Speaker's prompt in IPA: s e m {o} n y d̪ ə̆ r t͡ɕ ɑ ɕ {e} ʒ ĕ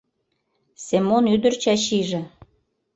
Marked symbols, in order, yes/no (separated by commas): yes, no